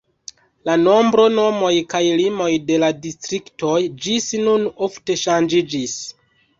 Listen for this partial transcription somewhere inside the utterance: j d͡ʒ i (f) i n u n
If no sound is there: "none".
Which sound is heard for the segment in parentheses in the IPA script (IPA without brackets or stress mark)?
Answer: s